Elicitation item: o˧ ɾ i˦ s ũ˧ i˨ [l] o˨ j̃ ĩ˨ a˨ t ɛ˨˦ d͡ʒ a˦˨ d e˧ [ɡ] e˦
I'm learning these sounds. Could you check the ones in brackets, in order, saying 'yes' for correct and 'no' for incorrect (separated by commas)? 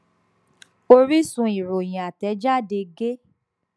no, yes